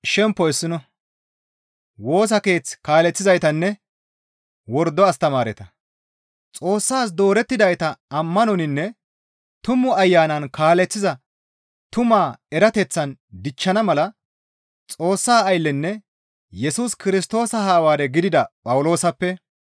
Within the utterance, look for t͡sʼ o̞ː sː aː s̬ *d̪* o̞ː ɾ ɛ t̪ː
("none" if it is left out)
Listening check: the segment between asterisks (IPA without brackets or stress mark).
d̪